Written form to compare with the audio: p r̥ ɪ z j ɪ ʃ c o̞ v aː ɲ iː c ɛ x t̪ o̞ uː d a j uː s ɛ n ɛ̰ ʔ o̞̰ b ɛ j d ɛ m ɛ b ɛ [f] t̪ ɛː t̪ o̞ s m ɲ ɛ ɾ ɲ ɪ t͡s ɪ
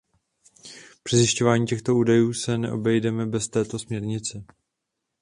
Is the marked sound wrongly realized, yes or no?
yes